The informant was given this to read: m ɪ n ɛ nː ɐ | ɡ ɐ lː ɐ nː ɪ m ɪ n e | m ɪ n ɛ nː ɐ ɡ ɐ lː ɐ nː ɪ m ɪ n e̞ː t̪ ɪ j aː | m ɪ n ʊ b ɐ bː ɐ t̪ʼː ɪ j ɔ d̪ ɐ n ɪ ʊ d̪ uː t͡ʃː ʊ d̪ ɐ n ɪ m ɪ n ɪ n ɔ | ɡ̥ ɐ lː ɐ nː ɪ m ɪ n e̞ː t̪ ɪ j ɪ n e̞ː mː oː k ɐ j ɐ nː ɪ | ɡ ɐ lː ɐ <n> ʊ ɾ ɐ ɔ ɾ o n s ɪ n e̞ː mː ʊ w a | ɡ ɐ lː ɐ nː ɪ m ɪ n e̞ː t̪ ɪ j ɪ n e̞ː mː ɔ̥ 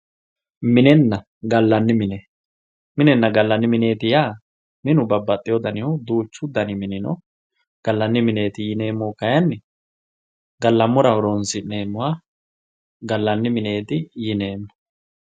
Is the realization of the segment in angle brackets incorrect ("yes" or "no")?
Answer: yes